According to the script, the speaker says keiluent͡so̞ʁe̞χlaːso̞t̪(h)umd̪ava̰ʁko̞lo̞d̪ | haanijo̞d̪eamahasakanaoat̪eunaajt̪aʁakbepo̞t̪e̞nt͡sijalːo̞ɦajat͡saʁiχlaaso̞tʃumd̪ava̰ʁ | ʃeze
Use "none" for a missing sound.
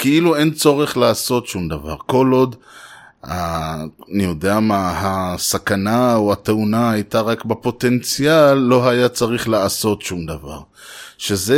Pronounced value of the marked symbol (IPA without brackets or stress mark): ʃ